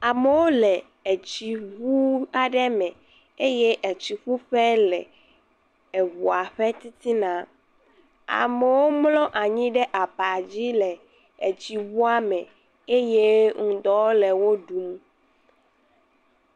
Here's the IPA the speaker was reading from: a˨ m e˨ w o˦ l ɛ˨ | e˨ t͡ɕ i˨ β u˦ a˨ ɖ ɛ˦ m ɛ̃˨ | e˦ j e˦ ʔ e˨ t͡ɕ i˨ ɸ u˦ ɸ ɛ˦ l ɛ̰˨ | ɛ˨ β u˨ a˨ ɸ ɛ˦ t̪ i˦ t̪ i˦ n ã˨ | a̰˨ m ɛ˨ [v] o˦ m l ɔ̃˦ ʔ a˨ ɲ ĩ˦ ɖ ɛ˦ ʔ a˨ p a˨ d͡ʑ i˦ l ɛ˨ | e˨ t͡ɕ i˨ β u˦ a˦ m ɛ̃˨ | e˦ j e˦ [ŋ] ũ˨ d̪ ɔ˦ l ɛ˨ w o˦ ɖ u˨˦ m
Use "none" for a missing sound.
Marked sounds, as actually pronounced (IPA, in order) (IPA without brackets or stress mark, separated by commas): w, ŋ